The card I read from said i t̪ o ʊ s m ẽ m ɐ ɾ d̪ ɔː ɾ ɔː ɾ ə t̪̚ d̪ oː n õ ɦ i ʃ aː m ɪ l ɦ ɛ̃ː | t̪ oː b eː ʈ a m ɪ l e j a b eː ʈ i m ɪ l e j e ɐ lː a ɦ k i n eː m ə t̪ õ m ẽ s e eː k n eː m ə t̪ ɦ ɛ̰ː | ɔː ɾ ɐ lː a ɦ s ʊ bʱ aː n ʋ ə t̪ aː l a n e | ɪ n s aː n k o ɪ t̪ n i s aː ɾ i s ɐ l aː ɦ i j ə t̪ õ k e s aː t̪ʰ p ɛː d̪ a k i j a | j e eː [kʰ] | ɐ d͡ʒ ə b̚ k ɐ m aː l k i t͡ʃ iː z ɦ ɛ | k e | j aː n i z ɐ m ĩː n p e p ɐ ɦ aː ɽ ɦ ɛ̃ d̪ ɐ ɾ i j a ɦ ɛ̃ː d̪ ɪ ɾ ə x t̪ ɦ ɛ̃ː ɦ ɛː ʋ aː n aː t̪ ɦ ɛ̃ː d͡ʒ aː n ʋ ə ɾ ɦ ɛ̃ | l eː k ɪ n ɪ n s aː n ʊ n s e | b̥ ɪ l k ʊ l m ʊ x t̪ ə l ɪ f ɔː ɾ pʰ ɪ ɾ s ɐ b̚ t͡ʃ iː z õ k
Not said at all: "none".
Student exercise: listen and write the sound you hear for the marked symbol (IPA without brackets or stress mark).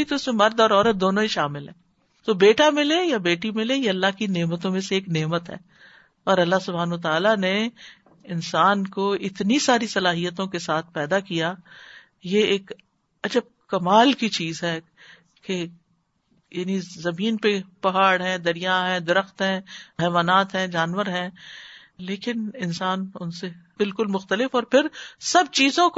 k